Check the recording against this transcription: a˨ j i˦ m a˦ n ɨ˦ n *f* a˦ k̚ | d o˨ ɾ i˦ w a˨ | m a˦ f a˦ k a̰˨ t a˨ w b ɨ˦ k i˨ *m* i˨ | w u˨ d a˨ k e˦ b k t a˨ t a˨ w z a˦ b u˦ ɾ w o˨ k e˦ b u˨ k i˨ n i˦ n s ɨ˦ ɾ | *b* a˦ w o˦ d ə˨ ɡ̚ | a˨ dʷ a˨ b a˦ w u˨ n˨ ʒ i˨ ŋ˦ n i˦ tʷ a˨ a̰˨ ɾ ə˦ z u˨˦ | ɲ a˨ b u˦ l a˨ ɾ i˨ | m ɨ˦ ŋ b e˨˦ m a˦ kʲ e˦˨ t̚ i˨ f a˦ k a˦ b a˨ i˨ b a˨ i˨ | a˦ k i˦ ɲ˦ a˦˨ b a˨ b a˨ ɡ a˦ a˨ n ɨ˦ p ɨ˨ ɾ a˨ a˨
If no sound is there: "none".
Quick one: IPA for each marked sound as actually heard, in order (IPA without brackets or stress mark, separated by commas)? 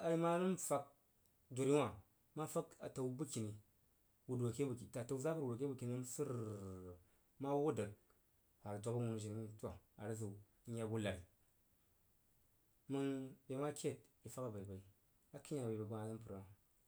f, n, m